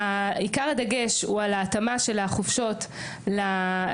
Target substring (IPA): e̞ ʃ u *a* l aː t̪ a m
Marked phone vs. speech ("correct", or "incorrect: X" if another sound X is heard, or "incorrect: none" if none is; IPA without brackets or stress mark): correct